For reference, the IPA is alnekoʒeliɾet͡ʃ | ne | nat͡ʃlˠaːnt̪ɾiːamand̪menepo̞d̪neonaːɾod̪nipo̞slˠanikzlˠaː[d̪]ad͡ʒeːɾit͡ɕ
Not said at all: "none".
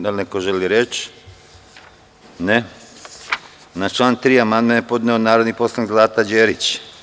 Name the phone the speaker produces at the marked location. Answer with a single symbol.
t̪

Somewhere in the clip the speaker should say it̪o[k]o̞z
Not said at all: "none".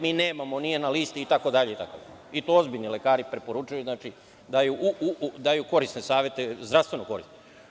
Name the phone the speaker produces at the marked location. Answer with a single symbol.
none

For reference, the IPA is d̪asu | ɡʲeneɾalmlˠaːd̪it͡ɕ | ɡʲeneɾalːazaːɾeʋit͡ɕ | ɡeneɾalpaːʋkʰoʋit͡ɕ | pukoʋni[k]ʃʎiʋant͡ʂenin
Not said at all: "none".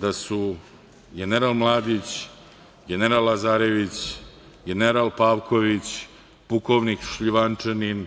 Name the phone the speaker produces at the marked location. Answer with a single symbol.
k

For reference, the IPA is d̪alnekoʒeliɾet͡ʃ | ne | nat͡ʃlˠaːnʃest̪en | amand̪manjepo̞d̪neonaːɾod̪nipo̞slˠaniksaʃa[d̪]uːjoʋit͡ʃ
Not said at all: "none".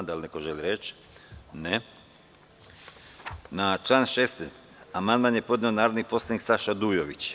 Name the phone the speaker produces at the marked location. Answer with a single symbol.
d̪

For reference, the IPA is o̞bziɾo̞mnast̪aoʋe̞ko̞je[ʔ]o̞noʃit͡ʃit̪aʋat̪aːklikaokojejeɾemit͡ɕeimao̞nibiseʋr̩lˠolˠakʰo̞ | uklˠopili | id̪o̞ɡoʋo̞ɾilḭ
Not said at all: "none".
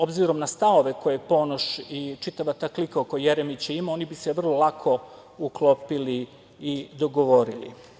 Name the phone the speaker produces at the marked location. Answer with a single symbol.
p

